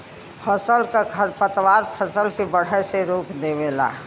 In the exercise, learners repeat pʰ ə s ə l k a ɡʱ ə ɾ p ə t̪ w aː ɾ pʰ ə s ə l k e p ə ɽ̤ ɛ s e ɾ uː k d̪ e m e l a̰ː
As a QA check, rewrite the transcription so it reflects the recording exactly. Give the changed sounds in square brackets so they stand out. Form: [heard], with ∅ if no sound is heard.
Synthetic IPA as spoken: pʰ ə s ə l k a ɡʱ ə ɾ p ə t̪ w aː ɾ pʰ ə s ə l k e [b] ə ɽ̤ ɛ s e ɾ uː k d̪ e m e l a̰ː